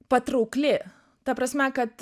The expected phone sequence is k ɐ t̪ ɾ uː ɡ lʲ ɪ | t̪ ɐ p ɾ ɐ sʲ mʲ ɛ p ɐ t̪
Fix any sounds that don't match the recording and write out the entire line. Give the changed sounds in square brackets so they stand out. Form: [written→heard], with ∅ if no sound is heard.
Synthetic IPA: [k→p] ɐ t̪ ɾ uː [ɡ→k] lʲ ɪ | t̪ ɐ p ɾ ɐ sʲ mʲ ɛ [p→k] ɐ t̪